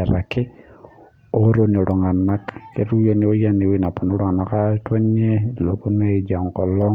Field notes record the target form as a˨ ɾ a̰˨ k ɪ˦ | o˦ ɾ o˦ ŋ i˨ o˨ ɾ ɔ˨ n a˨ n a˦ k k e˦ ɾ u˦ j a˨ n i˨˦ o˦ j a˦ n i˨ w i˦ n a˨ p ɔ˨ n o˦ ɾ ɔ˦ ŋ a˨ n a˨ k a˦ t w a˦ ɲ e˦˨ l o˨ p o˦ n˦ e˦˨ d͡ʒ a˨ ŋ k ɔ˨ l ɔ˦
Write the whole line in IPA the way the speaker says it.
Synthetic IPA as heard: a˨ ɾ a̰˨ k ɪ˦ | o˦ ɾ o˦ n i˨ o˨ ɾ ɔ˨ ŋ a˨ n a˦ k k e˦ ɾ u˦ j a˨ n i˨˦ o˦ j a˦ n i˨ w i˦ n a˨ p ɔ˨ n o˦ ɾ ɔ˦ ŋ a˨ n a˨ k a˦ t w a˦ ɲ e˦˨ l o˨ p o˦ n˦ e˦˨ d͡ʒ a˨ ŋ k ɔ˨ l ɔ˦